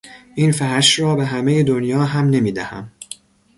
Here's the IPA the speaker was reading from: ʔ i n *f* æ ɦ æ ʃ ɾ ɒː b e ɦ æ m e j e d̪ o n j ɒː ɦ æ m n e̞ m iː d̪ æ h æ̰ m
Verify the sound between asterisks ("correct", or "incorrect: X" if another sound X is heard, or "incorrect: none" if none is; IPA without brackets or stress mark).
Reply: correct